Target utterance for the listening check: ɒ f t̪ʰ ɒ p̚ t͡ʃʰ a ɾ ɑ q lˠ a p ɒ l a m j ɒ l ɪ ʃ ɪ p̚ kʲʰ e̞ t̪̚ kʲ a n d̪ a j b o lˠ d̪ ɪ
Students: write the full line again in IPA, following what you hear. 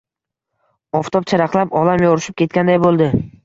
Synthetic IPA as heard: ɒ f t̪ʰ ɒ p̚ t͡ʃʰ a ɾ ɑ q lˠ a p ɒ l a m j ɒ ɾ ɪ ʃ ɪ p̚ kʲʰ e̞ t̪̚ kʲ a n d̪ a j b o lˠ d̪ ɪ